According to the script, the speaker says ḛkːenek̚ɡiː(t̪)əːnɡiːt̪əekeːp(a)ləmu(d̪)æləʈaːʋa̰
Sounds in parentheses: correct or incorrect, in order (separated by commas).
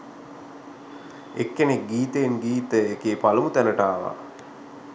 correct, correct, incorrect